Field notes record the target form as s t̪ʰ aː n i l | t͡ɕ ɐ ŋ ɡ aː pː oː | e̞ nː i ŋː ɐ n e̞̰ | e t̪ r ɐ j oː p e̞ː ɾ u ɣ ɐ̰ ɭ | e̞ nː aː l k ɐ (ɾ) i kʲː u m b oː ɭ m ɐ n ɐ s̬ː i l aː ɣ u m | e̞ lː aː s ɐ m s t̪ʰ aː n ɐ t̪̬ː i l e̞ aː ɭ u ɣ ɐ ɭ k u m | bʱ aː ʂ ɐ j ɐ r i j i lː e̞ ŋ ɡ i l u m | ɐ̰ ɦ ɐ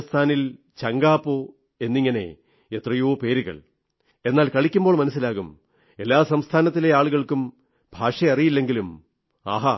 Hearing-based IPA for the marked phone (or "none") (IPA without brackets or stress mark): ɭ